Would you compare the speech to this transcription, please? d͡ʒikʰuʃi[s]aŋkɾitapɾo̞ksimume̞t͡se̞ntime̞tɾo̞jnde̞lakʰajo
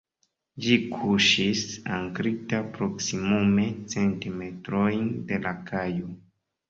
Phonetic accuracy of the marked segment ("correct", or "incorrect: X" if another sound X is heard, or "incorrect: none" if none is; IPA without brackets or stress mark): correct